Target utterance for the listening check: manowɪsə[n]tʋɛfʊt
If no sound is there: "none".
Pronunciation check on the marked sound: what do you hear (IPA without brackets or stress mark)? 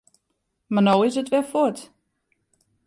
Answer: none